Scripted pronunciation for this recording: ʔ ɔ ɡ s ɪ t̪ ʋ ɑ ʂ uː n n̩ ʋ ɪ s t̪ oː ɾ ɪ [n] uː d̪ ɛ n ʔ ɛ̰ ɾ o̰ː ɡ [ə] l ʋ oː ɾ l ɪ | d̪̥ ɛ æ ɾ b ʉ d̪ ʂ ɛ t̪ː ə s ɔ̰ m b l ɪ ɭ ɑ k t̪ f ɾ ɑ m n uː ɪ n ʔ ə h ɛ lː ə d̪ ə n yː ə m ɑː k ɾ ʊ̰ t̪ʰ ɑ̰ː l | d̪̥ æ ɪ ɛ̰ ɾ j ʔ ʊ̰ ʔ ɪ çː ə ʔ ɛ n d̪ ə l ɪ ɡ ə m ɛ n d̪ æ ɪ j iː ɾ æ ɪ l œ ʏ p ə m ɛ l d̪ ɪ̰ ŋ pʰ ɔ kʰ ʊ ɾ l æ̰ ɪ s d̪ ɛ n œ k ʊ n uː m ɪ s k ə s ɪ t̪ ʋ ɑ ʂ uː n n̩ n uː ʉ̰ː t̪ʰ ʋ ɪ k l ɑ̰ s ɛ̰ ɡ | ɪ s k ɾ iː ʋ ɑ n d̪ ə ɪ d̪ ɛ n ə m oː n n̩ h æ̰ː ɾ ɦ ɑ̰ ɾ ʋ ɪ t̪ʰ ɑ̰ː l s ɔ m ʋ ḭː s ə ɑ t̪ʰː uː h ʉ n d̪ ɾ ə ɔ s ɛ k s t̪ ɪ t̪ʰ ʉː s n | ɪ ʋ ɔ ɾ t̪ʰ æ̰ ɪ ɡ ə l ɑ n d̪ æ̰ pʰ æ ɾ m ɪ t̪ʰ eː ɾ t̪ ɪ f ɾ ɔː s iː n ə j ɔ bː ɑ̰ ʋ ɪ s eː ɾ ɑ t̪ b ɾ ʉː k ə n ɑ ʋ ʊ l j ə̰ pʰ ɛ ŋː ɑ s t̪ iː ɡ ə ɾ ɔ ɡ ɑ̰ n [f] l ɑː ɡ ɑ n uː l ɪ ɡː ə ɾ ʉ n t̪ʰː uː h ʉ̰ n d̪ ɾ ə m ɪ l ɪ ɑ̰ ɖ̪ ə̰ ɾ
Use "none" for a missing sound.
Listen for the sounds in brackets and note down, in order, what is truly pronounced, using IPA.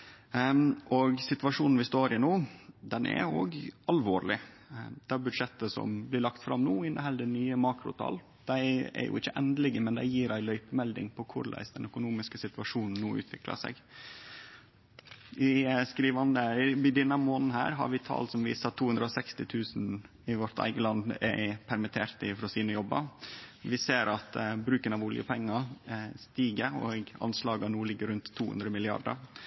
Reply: n, ɑ, s

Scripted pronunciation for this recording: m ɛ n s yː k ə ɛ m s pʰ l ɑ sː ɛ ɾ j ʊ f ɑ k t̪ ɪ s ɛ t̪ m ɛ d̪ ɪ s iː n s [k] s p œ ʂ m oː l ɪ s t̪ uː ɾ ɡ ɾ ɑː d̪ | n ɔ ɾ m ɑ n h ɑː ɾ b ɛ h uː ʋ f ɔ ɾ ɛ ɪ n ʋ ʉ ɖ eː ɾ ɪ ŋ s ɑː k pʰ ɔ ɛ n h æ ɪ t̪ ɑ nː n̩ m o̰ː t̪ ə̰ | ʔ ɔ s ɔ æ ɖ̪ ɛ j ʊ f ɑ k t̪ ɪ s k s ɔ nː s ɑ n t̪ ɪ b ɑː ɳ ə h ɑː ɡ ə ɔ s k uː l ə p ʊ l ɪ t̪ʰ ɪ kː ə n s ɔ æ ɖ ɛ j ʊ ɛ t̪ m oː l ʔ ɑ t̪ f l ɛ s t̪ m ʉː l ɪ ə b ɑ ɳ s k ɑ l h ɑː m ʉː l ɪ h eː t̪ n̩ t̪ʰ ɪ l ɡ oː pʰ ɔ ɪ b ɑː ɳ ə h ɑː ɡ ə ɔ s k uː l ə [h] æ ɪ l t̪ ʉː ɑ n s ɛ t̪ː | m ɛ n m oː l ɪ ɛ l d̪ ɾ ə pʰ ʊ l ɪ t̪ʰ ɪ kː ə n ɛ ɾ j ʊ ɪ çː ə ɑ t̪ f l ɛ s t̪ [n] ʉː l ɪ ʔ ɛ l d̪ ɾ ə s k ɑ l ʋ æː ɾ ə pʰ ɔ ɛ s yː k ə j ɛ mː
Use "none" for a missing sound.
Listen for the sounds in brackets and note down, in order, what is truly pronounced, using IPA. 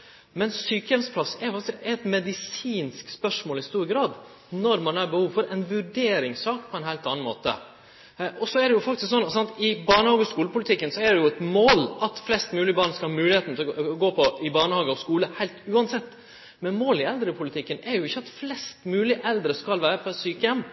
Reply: k, h, m

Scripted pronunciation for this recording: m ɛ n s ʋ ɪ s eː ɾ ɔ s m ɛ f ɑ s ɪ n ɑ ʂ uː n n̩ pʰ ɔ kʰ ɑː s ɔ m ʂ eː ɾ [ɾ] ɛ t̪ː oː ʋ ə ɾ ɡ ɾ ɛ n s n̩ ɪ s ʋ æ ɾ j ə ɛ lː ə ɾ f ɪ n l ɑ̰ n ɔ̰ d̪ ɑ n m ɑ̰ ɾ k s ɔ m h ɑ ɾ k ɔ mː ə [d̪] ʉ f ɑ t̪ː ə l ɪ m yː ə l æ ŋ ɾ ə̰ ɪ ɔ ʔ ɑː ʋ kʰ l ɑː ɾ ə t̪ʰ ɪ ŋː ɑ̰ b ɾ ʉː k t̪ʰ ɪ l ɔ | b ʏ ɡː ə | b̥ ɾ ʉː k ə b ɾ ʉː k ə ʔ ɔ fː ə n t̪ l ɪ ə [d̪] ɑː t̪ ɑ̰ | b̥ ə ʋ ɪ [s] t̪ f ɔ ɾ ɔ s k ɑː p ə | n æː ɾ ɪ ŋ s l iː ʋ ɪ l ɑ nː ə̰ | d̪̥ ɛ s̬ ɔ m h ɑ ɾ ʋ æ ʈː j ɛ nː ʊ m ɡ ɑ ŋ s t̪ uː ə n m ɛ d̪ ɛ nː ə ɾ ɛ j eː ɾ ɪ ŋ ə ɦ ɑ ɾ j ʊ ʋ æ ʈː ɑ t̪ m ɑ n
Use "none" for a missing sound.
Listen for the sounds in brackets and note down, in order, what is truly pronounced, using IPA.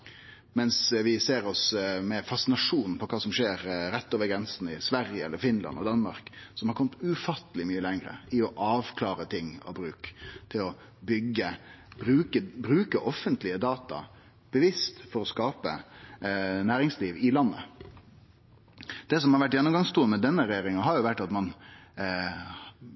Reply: ɾ, t̪, d̪, s

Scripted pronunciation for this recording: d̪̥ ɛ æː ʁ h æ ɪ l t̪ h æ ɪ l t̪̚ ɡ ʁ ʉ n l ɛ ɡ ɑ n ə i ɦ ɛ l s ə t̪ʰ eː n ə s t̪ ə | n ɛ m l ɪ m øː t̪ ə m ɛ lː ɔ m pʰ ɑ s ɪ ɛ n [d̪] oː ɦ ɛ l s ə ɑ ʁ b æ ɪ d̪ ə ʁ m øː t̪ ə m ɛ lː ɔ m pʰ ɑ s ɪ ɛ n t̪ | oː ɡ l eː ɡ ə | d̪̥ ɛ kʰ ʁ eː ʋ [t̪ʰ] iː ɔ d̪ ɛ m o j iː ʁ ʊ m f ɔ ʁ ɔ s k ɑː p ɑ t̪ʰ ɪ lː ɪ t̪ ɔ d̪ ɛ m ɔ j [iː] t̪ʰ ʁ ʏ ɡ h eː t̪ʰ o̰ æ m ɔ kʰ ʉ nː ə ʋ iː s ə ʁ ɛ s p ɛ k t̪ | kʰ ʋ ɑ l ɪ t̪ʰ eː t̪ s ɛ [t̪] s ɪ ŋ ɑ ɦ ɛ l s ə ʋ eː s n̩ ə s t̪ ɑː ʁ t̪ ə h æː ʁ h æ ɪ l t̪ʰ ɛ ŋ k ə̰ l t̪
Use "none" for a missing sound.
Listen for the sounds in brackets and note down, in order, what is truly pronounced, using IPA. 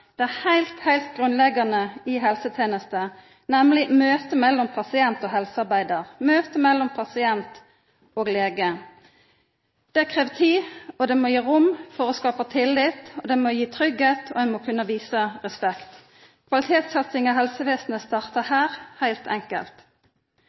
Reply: t̪, t̪ʰ, iː, t̪

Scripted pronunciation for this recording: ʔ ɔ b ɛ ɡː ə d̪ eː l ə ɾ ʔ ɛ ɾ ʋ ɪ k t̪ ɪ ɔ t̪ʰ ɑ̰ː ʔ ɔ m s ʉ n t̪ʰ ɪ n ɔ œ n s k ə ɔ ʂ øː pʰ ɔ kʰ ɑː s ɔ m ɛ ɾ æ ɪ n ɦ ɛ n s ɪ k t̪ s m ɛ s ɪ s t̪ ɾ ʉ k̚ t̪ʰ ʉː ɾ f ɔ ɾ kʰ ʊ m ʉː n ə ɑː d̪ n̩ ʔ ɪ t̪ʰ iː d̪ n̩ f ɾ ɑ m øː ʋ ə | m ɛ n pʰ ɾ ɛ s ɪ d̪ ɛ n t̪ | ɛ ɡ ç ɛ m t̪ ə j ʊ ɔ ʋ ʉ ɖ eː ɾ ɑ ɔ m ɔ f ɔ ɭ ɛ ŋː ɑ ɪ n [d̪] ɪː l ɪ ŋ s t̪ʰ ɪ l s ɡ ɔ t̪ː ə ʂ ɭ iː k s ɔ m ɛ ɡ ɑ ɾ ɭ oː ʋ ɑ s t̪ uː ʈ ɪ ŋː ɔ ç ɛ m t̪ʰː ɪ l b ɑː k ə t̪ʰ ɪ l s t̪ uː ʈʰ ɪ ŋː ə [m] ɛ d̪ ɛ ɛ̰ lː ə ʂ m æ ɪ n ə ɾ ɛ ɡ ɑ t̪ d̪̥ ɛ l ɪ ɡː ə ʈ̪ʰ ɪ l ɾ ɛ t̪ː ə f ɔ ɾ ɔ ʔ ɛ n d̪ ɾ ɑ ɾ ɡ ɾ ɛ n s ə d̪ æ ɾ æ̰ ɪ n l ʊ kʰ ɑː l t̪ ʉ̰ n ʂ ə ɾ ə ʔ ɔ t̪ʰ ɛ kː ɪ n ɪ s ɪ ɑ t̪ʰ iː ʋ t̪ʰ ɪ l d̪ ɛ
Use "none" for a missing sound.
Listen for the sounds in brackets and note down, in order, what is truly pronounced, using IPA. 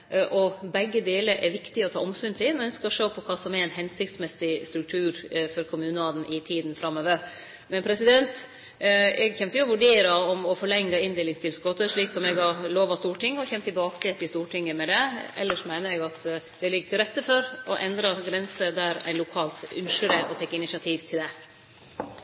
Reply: d̪, m

